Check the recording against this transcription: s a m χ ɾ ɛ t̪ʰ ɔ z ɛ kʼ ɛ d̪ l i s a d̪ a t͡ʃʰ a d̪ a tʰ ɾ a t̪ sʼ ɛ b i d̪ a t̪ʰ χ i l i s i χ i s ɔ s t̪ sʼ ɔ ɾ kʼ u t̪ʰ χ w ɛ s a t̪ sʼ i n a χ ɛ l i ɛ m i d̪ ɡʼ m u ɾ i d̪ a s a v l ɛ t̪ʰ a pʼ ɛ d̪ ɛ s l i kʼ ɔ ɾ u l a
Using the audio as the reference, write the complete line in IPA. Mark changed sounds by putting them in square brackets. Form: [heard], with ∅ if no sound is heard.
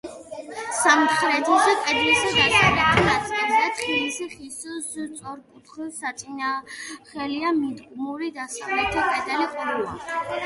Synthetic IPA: s a m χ ɾ ɛ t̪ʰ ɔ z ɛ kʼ ɛ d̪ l i s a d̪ a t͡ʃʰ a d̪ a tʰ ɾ a t̪ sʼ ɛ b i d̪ a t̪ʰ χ i l i s i χ i s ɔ s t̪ sʼ ɔ ɾ kʼ u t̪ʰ χ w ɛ s a t̪ sʼ i n a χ ɛ l i [a] m i d̪ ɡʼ m u ɾ i d̪ a s a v l ɛ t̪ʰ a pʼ ɛ d̪ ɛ [∅] l i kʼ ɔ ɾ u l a